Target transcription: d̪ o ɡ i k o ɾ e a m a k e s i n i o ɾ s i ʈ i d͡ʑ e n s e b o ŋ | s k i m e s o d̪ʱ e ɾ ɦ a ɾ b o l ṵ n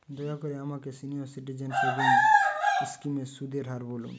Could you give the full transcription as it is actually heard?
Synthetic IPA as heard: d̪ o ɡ a k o ɾ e a m a k e s i n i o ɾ s i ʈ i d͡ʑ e n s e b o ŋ | s k i m e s u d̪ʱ e ɾ ɦ a ɾ b o l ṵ n